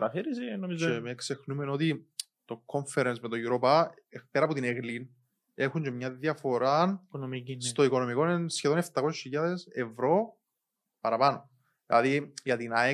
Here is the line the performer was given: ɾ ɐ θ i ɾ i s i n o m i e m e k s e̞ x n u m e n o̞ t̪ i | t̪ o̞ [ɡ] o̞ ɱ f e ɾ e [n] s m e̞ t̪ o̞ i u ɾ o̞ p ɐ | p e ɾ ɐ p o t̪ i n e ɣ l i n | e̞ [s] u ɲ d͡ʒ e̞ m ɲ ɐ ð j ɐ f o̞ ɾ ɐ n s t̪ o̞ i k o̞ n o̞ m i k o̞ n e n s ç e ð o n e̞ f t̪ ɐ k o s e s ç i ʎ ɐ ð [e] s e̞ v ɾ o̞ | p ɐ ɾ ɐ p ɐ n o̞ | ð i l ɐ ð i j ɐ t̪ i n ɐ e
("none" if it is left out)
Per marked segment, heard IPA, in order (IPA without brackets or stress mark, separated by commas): k, n, x, e